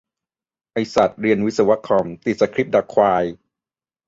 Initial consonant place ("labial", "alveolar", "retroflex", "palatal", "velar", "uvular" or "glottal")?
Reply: glottal